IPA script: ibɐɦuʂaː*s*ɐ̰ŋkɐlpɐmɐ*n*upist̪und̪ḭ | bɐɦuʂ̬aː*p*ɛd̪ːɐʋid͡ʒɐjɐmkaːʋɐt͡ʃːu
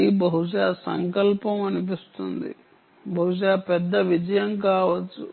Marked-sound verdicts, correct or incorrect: correct, correct, correct

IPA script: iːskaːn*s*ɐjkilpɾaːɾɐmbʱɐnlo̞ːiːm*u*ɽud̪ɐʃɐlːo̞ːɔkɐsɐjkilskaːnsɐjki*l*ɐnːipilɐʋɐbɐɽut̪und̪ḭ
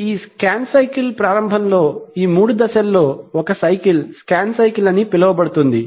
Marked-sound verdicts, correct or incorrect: correct, incorrect: uː, correct

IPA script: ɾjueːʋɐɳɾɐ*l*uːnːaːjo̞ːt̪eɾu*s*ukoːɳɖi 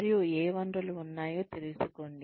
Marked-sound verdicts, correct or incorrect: correct, correct

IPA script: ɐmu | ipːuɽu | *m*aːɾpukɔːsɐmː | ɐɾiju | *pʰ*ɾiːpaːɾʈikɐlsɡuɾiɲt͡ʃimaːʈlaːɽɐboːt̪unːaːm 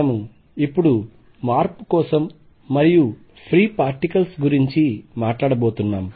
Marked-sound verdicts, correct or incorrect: correct, correct

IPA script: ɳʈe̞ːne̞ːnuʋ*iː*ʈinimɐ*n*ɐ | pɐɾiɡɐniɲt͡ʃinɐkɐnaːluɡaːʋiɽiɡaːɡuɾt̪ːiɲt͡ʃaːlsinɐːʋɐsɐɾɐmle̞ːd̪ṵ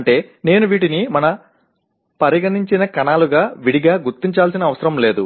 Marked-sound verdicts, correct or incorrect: correct, correct

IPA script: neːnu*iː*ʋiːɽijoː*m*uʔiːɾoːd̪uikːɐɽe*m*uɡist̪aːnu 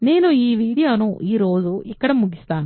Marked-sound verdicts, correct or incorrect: correct, incorrect: n, correct

